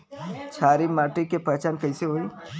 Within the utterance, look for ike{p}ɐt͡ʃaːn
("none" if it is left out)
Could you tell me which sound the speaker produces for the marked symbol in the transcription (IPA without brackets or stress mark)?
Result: p